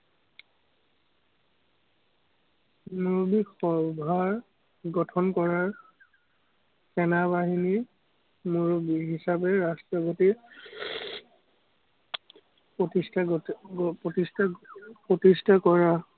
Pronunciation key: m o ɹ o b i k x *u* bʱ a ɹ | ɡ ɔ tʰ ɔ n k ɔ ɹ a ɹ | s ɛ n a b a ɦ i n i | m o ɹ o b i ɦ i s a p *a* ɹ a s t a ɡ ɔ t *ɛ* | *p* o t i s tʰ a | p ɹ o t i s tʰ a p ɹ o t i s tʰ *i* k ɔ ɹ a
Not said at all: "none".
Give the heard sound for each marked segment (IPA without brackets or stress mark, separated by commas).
ɔ, ɛ, i, p, a